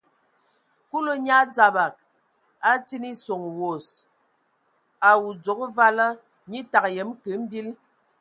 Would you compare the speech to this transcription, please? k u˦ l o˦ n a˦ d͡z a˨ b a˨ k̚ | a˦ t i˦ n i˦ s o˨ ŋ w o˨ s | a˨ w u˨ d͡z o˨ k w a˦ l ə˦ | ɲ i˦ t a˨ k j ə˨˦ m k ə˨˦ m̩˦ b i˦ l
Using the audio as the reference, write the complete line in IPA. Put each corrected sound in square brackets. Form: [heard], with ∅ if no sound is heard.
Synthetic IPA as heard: k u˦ l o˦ [ɲ] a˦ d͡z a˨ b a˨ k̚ | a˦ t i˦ n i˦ s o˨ ŋ w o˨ s | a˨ w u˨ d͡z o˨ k [v] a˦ l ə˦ | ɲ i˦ t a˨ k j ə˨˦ m k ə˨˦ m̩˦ b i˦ l